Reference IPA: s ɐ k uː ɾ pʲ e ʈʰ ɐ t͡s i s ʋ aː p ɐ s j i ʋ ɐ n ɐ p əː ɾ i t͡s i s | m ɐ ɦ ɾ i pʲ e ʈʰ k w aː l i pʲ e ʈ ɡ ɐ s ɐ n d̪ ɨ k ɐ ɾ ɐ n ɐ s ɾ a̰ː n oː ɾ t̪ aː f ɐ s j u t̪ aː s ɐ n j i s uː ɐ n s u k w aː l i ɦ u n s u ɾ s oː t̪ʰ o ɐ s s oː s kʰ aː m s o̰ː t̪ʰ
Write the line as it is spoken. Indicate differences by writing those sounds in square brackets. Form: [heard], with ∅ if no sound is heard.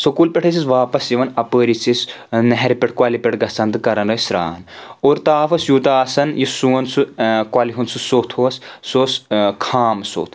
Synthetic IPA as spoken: s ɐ k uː [l] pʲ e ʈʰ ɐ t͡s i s ʋ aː p ɐ s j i ʋ ɐ n ɐ p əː ɾ i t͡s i s | [n] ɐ ɦ ɾ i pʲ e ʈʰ k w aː l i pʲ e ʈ ɡ ɐ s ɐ n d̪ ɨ k ɐ ɾ ɐ n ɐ s ɾ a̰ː n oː ɾ t̪ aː f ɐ s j u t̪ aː s ɐ n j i s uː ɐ n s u k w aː l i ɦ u n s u [∅] s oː t̪ʰ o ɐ s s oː s kʰ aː m s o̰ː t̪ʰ